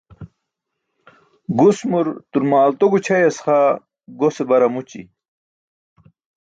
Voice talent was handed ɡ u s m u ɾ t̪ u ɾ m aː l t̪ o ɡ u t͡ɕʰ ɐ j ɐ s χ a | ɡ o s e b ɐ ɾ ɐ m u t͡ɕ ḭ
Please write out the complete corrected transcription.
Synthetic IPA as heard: ɡ u s m u ɾ t̪ u ɾ m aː l t̪ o ɡ u t͡ɕʰ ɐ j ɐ s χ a | ɡ o s e b ɐ ɾ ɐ m u t͡ɕ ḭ